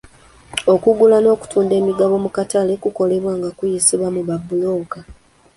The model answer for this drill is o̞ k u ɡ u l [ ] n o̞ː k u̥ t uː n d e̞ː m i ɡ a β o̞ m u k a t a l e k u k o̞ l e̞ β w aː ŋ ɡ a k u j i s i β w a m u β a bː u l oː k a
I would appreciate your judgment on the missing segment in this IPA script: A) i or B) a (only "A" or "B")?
B